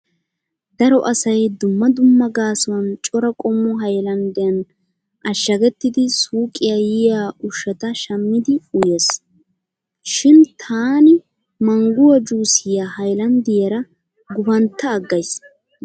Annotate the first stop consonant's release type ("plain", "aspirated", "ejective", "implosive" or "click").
plain